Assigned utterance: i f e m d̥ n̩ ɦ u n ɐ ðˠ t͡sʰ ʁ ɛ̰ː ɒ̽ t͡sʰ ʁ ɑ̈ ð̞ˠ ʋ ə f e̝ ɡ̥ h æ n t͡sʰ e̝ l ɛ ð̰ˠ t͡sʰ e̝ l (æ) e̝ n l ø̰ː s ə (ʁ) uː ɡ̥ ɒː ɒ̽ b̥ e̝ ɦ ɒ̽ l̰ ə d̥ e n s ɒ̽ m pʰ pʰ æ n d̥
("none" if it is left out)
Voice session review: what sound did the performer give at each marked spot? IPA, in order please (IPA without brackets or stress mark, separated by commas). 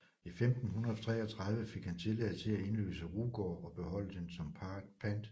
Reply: æ, ʁ